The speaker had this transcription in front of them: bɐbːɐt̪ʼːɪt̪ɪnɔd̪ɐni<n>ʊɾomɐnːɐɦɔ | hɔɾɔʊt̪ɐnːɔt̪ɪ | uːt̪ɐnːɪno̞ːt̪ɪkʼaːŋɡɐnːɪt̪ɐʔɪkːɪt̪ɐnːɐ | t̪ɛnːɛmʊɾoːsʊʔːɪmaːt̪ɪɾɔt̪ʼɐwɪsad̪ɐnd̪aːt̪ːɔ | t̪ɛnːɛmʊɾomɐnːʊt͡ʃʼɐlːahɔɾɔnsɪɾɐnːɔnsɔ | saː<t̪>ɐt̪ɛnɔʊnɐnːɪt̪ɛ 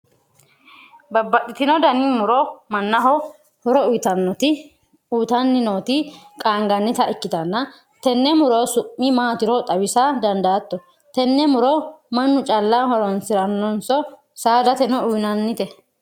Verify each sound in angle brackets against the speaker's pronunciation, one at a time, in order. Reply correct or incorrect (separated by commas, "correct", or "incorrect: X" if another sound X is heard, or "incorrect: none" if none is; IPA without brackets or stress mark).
incorrect: m, incorrect: d̪